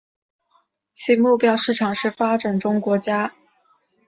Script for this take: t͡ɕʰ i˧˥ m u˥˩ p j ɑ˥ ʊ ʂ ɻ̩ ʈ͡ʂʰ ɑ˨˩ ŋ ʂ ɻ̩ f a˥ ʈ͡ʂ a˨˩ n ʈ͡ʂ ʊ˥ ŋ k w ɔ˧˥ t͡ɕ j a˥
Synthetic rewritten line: t͡ɕʰ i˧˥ m u˥˩ p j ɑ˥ ʊ ʂ ɻ̩ ʈ͡ʂʰ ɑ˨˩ ŋ ʂ ɻ̩ f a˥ ʈ͡ʂ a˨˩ n ʈ͡ʂ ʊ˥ ŋ k w ɔ˧˥ t͡ɕ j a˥